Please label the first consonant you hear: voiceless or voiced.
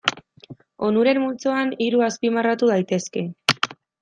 voiced